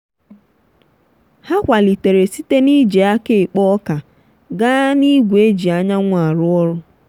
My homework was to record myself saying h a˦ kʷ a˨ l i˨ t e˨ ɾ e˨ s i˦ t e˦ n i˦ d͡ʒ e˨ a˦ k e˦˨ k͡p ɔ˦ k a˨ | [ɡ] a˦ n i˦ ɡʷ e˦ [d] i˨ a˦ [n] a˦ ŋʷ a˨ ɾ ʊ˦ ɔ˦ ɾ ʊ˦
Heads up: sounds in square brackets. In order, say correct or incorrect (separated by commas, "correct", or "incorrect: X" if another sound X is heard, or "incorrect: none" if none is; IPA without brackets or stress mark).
correct, incorrect: d͡ʒ, incorrect: ɲ